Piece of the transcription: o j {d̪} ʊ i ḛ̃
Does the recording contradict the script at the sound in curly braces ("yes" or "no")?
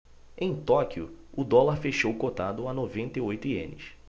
yes